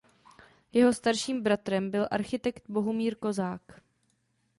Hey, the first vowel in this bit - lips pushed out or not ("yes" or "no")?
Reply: no